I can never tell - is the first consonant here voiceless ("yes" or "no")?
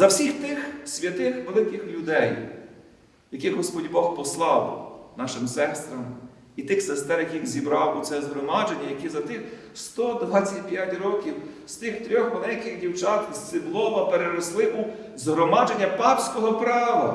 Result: no